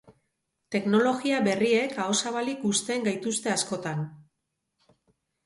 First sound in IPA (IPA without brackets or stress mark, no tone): t̪